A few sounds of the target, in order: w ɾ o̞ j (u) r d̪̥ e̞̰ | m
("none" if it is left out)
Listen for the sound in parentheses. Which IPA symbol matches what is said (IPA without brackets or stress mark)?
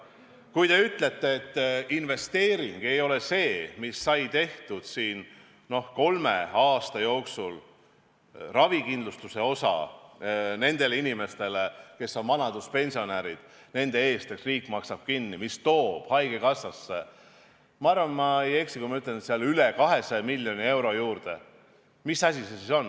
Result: uː